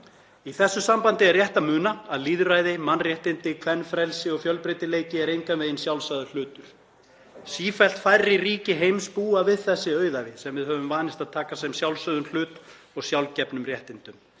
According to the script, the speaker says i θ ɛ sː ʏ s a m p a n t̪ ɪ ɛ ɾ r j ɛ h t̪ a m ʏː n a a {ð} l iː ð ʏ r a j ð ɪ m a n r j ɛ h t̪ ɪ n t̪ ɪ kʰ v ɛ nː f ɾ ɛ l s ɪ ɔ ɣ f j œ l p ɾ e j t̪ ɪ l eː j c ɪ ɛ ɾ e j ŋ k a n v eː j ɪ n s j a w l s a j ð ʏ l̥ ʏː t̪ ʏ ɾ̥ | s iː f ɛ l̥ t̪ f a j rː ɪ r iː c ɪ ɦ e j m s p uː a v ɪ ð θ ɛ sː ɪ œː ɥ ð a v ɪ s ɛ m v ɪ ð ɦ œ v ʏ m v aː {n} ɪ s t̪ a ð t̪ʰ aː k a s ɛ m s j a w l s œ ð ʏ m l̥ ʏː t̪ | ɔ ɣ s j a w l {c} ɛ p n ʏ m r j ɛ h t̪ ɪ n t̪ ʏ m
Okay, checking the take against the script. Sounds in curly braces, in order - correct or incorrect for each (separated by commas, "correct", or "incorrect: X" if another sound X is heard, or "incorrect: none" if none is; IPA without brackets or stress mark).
correct, correct, correct